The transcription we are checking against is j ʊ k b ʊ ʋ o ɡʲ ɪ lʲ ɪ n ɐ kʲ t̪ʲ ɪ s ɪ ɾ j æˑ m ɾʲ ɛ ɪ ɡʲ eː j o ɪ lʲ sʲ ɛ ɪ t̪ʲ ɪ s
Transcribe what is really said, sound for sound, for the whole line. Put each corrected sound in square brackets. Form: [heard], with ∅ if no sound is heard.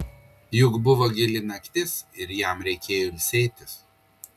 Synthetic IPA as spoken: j ʊ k b ʊ ʋ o ɡʲ ɪ lʲ ɪ n ɐ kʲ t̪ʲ ɪ s ɪ ɾ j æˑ m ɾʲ ɛ ɪ [kʲ] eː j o ɪ lʲ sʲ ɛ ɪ t̪ʲ ɪ s